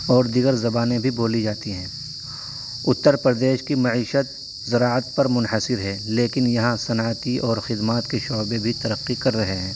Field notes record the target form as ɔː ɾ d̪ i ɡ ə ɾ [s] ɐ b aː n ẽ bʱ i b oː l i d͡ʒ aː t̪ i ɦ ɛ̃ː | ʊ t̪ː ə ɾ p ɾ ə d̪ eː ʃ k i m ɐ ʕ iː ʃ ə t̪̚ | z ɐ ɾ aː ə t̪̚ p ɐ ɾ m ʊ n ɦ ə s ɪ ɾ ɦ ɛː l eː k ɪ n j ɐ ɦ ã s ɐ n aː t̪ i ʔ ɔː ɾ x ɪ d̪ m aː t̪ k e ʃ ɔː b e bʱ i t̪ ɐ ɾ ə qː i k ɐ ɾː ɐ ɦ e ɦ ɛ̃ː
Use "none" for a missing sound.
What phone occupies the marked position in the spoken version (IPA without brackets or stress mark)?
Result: z